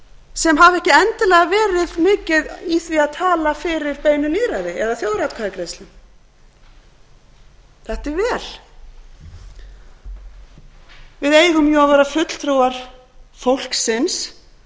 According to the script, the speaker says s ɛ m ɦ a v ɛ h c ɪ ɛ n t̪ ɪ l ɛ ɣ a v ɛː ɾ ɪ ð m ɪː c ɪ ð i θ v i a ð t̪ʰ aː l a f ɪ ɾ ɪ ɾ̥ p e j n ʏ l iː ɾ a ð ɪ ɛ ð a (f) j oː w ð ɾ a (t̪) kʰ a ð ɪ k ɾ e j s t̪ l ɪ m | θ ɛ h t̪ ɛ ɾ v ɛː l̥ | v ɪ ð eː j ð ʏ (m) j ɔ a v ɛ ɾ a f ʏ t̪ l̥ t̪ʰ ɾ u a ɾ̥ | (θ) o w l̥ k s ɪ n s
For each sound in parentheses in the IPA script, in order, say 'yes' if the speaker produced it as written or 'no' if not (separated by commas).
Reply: no, yes, yes, no